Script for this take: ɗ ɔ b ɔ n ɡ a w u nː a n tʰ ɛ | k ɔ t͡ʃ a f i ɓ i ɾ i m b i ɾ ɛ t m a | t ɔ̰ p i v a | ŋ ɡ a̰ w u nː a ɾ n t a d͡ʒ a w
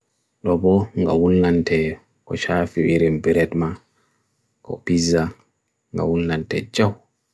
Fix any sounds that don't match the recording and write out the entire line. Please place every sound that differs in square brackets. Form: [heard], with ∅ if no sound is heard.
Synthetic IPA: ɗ ɔ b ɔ [ŋ] ɡ a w u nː a n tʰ ɛ | k ɔ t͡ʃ a f i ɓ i ɾ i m b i ɾ ɛ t m a | [k] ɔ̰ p i [z] a | ŋ ɡ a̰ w u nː a [∅] n t [ɛ] d͡ʒ a w